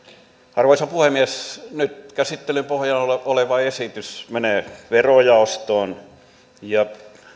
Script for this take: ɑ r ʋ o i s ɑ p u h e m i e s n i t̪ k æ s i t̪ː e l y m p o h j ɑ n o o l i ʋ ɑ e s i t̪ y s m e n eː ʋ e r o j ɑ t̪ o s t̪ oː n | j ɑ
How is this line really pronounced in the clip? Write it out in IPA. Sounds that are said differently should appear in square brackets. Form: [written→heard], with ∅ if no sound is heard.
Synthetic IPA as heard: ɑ r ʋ o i s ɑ p u h e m i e s n [i→y] t̪ k æ s i t̪ː e l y m p o h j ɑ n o o l [i→e] ʋ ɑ e s i t̪ y s m e n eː ʋ e r o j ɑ [t̪→∅] o s t̪ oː n | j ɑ